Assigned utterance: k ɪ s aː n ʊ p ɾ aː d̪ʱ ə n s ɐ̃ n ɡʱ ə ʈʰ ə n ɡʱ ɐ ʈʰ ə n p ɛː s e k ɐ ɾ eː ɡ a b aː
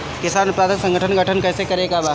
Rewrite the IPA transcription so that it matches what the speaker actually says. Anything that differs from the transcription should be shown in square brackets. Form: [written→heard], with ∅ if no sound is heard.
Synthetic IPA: k ɪ s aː n ʊ p ɾ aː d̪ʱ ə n s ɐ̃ [n→ŋ] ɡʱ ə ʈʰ ə n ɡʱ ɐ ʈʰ ə n [p→k] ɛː s e k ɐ ɾ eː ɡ a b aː